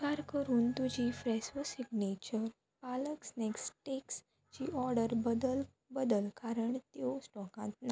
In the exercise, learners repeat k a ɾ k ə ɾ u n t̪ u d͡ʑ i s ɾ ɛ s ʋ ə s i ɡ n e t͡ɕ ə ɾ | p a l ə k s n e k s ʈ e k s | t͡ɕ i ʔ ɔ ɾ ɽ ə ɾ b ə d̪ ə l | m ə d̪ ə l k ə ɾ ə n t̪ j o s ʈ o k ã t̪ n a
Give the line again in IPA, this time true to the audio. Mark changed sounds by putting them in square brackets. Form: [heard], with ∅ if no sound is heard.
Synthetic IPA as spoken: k a ɾ k ə ɾ [uː] n t̪ u d͡ʑ i [f] ɾ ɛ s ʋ ə s i ɡ n e t͡ɕ ə ɾ | p a l ə k s n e k s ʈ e k s | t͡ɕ i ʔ ɔ ɾ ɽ ə ɾ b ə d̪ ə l | [b] ə d̪ ə l k [a] ɾ ə [ɳ] t̪ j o s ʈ [ɔ] k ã t̪ n a

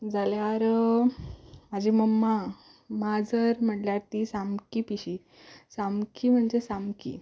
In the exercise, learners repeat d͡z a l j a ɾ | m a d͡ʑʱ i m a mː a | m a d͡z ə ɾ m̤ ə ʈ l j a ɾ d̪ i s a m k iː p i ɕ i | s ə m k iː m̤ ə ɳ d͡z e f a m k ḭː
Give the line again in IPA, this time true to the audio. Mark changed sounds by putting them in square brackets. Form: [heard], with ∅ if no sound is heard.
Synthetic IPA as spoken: d͡z a l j a ɾ | m a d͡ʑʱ i m [ə] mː a | m a d͡z ə ɾ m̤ ə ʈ l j a ɾ [t̪] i s a m k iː p i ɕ i | s [a] m k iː m̤ ə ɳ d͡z e [s] a m k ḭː

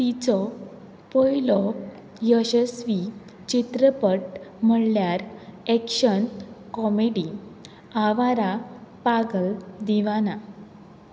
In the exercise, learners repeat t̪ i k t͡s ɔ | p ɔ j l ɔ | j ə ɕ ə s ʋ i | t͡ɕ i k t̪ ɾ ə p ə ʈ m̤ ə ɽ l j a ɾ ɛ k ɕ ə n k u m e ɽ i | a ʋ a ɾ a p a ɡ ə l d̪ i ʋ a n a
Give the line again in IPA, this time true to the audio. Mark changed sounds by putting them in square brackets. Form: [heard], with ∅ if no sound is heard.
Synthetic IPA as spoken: t̪ i [∅] t͡s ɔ | p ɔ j l ɔ | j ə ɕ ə s ʋ i | t͡ɕ i [∅] t̪ ɾ ə p ə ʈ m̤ ə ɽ l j a ɾ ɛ k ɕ ə n k [ɔ] m e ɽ i | a ʋ a ɾ a p a ɡ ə l d̪ i ʋ a n a

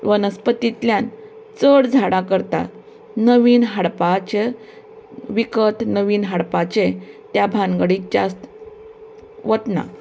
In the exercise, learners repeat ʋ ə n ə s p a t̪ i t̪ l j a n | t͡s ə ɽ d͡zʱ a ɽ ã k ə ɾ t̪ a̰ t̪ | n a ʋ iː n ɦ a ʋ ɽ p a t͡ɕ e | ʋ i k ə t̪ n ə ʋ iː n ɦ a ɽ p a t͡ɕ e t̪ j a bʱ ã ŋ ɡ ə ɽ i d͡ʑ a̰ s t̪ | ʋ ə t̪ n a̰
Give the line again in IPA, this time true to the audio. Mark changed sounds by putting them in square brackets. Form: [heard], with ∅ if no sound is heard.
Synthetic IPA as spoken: ʋ ə n ə s p [ə] t̪ i t̪ l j a n | t͡s ə ɽ d͡zʱ a ɽ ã k ə ɾ t̪ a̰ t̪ | n [ə] ʋ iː n ɦ a [∅] ɽ p a t͡ɕ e | ʋ i k ə t̪ n ə ʋ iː n ɦ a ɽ p a t͡ɕ e t̪ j a bʱ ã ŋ ɡ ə ɽ i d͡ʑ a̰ s t̪ | ʋ ə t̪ n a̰

